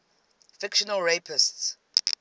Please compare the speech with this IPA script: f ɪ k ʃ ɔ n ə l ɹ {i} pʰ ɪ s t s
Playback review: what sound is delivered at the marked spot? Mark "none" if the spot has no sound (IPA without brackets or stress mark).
e